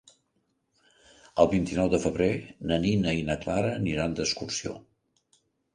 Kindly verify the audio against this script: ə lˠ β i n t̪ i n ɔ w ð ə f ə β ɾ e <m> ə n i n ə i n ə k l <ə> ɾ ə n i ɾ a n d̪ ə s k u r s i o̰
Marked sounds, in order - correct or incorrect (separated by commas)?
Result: incorrect, incorrect